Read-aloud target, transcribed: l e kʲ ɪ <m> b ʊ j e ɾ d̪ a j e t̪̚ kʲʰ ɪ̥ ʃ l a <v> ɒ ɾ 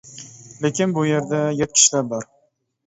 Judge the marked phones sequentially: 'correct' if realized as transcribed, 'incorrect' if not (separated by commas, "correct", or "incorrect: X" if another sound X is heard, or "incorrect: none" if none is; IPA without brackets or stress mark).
incorrect: n, incorrect: b